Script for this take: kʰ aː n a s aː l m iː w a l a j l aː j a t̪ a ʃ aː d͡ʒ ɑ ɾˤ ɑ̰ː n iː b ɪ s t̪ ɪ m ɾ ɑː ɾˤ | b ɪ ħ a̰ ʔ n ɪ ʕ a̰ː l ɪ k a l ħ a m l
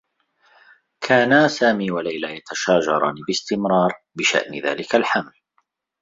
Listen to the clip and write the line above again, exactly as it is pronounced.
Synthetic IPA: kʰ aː n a s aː m iː w a l a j l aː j a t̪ a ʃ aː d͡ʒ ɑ ɾˤ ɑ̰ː n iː b ɪ s t̪ ɪ m ɾ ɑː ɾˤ | b ɪ ʃ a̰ ʔ n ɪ ð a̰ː l ɪ k a l ħ a m l